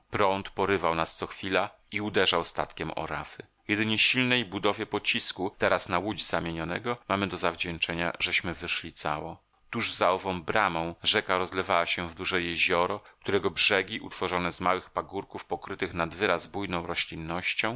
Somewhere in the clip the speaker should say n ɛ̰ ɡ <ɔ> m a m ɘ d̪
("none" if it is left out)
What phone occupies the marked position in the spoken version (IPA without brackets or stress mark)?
ɔ